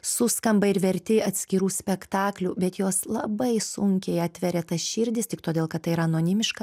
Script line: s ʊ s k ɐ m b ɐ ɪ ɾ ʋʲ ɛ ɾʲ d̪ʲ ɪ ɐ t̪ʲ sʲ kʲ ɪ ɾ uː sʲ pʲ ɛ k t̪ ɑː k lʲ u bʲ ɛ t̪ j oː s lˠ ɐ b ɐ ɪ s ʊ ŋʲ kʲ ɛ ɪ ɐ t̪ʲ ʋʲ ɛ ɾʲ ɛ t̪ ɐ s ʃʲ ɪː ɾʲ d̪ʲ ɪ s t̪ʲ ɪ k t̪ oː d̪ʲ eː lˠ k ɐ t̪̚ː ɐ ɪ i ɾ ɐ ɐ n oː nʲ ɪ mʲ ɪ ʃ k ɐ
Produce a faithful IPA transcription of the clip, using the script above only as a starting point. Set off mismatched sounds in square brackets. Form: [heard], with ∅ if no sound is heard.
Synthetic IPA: s ʊ s k ɐ m b ɐ ɪ ɾ ʋʲ ɛ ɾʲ [t̪ʲ] ɪ ɐ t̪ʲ sʲ kʲ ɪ ɾ uː sʲ pʲ ɛ k t̪ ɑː k lʲ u bʲ ɛ t̪ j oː s lˠ ɐ b ɐ ɪ s ʊ ŋʲ kʲ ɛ ɪ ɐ t̪ʲ ʋʲ ɛ ɾʲ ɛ t̪ ɐ s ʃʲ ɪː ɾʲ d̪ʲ ɪ s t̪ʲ ɪ k t̪ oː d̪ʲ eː lˠ k ɐ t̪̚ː ɐ ɪ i ɾ ɐ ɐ n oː nʲ ɪ mʲ ɪ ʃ k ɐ

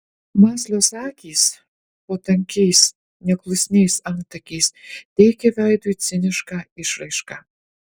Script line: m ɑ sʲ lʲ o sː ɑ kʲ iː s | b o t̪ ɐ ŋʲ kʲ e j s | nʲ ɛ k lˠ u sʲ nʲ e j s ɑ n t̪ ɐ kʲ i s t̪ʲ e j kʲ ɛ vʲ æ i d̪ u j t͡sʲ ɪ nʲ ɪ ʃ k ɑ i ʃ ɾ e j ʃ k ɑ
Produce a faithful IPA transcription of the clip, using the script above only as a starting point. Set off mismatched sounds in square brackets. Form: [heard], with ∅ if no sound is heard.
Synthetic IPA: m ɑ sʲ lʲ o [s] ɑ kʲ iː s | [p] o t̪ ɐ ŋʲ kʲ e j s | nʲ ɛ k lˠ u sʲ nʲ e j s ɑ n t̪ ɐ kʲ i s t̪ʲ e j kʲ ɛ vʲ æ [j] d̪ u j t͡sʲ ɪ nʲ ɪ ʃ k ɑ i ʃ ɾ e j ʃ k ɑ

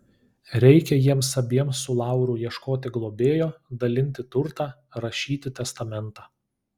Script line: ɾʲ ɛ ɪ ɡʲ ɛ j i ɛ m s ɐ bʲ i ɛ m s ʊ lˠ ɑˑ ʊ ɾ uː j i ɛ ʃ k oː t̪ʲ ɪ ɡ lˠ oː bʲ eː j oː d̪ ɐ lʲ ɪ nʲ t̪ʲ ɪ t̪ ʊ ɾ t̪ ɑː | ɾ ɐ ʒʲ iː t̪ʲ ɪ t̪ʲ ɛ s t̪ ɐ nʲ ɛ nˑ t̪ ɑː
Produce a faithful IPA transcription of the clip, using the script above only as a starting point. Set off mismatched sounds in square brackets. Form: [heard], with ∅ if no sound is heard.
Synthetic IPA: ɾʲ ɛ ɪ [kʲ] ɛ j i ɛ m s ɐ bʲ i ɛ m s ʊ lˠ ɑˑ ʊ ɾ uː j i ɛ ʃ k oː t̪ʲ ɪ ɡ lˠ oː bʲ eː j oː d̪ ɐ lʲ ɪ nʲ t̪ʲ ɪ t̪ ʊ ɾ t̪ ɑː | ɾ ɐ [ʃʲ] iː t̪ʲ ɪ t̪ʲ ɛ s t̪ ɐ [mʲ] ɛ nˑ t̪ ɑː

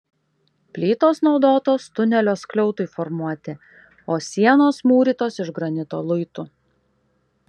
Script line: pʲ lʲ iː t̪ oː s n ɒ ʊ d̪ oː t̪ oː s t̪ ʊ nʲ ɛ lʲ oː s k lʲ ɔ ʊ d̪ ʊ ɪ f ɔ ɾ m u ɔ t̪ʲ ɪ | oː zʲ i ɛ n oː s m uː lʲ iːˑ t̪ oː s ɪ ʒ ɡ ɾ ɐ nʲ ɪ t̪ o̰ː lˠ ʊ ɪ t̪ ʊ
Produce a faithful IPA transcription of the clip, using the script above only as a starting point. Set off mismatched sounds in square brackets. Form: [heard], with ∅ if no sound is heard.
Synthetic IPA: pʲ lʲ iː t̪ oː s n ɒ ʊ d̪ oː t̪ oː s t̪ ʊ nʲ ɛ lʲ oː s k lʲ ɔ ʊ [t̪] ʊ ɪ f ɔ ɾ m u ɔ t̪ʲ ɪ | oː [sʲ] i ɛ n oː s m uː [ɾʲ] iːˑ t̪ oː s ɪ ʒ ɡ ɾ ɐ nʲ ɪ t̪ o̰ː lˠ ʊ ɪ t̪ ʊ

